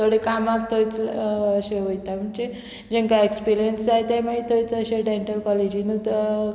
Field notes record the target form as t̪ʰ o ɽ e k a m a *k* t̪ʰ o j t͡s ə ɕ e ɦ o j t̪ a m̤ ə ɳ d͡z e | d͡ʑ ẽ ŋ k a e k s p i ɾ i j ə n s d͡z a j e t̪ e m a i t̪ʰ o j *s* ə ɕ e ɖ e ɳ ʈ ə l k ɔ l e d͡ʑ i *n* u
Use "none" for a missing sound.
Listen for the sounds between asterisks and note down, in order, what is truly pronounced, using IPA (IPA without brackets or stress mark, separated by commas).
k, t͡s, n